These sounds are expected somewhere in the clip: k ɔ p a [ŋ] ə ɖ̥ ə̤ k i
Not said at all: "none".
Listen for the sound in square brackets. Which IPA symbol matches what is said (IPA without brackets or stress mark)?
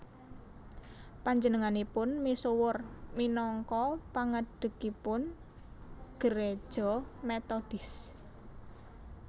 ŋ